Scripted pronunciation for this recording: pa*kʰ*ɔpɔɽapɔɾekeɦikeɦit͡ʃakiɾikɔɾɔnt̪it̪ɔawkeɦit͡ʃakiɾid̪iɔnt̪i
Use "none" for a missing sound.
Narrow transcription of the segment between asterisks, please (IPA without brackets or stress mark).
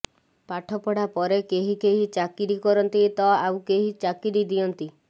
ʈʰ